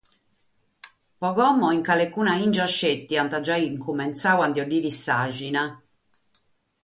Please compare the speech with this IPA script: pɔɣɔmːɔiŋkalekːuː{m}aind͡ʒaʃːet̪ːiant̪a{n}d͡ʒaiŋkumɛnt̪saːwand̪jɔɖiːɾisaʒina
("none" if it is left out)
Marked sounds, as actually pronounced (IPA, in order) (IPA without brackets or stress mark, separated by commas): n, none